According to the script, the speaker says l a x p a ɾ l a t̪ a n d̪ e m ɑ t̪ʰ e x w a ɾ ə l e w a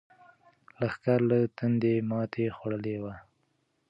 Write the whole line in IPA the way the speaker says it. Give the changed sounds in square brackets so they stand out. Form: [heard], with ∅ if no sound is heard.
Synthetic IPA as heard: l a x [k] a ɾ l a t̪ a n d̪ e m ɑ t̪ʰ e x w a [ɽ] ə l e w a